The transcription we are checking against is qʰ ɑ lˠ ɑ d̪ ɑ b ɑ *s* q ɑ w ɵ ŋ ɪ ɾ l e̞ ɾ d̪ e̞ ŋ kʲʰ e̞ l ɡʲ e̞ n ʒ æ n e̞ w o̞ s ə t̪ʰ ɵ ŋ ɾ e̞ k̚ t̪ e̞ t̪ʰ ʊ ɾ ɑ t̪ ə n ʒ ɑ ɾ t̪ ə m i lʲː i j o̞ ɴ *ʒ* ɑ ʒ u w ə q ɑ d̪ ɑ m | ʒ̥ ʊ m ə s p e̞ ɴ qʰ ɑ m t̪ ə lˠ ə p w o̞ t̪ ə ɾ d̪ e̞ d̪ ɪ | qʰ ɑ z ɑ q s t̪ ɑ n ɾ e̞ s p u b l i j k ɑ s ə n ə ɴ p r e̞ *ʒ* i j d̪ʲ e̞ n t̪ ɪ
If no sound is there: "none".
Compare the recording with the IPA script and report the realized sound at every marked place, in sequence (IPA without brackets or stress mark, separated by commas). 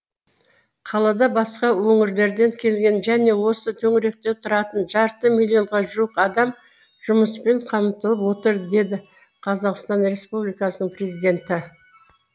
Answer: s, ʁ, z